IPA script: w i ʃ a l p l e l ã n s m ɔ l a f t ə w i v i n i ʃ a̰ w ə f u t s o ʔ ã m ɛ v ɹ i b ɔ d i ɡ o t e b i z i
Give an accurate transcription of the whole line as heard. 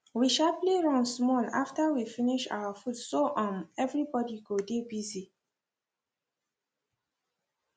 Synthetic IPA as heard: w i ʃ a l p l e ɹ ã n s m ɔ l a f t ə w i f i n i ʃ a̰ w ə f u t s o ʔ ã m ɛ v ɹ i b ɔ d i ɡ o d e b i z i